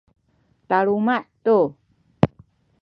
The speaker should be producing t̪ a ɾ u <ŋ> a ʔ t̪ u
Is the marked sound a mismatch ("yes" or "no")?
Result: yes